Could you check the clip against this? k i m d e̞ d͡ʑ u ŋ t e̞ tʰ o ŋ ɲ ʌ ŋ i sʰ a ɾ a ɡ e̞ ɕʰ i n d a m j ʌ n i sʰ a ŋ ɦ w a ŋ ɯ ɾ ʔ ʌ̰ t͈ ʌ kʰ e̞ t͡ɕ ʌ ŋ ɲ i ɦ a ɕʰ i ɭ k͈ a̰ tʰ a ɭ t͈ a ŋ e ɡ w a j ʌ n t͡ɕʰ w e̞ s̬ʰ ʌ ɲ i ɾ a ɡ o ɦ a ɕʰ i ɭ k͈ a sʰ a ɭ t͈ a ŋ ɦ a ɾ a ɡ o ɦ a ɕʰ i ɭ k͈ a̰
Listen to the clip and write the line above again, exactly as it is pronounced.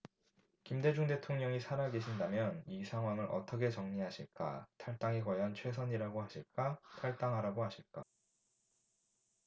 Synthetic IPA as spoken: k i m d e̞ d͡ʑ u ŋ d e̞ tʰ o ŋ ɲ ʌ ŋ i sʰ a ɾ a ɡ e̞ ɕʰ i n d a m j ʌ n i sʰ a ŋ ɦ w a ŋ ɯ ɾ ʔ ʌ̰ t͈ ʌ kʰ e̞ t͡ɕ ʌ ŋ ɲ i ɦ a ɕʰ i ɭ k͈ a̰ tʰ a ɭ t͈ a ŋ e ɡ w a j ʌ n t͡ɕʰ w e̞ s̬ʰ ʌ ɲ i ɾ a ɡ o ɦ a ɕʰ i ɭ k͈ a tʰ a ɭ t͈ a ŋ ɦ a ɾ a ɡ o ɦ a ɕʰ i ɭ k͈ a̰